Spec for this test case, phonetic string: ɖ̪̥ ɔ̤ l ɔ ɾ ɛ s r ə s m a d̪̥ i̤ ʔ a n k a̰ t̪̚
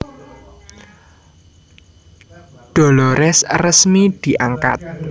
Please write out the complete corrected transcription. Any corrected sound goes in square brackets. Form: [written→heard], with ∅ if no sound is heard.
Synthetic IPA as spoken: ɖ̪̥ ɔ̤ l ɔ ɾ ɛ s r ə s m [a→i] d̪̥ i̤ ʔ a [n→ŋ] k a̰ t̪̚